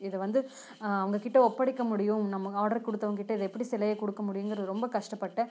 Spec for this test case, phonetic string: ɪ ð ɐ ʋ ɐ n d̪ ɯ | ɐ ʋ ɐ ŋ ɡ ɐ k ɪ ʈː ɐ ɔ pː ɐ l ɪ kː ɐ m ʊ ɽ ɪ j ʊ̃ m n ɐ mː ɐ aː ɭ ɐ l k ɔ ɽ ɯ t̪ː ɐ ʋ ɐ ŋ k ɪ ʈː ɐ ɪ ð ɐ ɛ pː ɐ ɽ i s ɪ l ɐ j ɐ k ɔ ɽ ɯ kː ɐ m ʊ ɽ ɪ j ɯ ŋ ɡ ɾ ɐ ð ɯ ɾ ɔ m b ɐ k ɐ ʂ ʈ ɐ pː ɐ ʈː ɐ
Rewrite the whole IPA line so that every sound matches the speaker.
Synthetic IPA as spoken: ɪ ð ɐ ʋ ɐ n d̪ ɯ | ɐ ʋ ɐ ŋ ɡ ɐ k ɪ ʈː ɐ ɔ pː ɐ ɽ ɪ kː ɐ m ʊ ɽ ɪ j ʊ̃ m n ɐ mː ɐ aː ɽ ɐ ɾ k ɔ ɽ ɯ t̪ː ɐ ʋ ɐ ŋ k ɪ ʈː ɐ ɪ ð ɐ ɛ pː ɐ ɽ i s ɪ l ɐ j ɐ k ɔ ɽ ɯ kː ɐ m ʊ ɽ ɪ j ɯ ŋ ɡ ɾ ɐ ð ɯ ɾ ɔ m b ɐ k ɐ ʂ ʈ ɐ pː ɐ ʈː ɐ